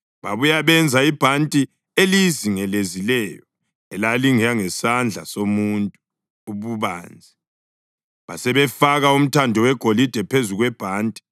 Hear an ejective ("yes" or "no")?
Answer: yes